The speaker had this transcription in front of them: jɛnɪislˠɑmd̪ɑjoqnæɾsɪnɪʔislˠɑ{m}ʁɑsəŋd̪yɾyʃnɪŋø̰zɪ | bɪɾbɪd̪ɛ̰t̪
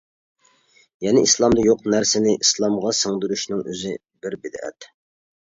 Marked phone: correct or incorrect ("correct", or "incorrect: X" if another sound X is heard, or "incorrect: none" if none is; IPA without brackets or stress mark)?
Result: correct